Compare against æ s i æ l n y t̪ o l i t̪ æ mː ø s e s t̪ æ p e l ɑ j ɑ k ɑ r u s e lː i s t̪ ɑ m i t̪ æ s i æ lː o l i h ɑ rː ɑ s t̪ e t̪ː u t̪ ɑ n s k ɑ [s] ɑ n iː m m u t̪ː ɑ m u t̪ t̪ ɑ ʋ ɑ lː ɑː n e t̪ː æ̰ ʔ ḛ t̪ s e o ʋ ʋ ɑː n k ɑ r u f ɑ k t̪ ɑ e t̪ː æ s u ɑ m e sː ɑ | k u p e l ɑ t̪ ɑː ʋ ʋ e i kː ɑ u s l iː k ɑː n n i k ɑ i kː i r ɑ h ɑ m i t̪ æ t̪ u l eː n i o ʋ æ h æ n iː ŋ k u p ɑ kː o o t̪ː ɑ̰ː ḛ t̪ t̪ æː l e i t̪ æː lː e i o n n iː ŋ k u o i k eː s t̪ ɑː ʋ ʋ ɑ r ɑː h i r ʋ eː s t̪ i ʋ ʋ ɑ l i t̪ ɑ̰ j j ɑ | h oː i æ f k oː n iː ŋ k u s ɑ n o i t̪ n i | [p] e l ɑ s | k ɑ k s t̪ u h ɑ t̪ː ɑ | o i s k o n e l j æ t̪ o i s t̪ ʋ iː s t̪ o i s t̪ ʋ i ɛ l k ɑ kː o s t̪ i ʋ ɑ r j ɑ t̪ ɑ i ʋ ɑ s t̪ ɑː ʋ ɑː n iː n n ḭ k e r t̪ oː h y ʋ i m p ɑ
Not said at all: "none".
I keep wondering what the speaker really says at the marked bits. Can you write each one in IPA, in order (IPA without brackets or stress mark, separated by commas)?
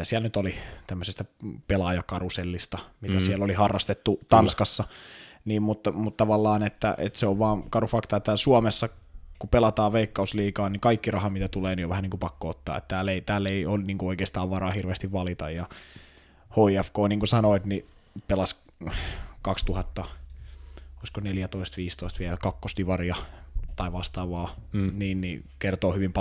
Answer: sː, p